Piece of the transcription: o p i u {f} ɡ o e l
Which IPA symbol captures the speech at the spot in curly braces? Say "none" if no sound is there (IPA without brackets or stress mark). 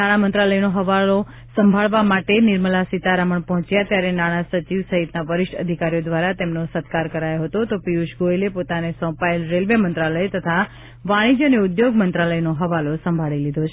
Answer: ʃ